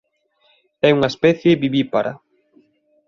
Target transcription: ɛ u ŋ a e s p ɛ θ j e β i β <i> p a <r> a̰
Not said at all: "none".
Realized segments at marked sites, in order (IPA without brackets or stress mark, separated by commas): i, ɾ